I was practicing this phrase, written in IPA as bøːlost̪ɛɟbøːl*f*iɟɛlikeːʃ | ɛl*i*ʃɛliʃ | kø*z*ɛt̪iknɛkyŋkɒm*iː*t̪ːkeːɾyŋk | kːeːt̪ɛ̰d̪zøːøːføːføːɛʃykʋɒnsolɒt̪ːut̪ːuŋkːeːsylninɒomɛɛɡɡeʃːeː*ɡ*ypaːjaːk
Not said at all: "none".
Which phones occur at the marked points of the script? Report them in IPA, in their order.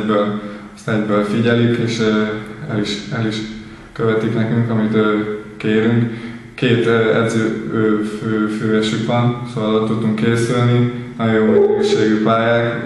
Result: f, i, v, i, ɡ

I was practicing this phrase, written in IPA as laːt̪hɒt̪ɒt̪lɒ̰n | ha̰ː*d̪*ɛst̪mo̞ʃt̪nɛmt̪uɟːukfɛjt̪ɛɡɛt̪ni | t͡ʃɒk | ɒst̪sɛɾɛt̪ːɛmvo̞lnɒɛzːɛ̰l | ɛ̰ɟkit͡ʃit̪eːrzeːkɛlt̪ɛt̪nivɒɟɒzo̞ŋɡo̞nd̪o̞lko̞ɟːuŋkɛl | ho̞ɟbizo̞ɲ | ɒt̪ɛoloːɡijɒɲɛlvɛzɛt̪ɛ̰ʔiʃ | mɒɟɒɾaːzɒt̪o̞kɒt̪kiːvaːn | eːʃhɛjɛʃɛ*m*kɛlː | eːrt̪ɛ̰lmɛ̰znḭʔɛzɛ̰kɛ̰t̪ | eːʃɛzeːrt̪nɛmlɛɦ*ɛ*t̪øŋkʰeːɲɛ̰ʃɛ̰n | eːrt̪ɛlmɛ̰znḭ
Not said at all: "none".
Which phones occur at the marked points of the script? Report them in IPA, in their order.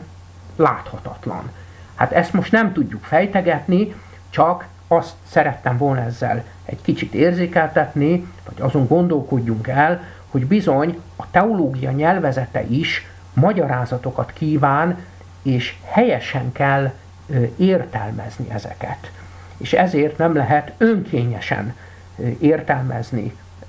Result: t̪, ŋ, ɛ

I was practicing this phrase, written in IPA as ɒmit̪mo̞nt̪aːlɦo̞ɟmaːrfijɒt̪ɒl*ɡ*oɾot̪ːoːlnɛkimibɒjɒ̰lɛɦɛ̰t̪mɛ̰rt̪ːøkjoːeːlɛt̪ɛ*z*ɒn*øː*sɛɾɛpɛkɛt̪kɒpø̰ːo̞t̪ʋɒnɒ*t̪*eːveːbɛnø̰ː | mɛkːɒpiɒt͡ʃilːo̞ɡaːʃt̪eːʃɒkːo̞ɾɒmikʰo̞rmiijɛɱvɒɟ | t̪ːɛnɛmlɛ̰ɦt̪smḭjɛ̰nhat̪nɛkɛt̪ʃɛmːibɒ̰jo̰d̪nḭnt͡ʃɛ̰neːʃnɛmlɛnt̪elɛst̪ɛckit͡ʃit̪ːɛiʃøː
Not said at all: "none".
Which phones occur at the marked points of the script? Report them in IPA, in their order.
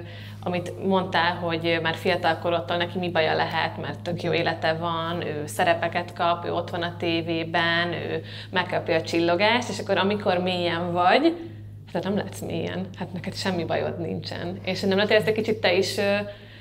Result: k, v, øː, t̪

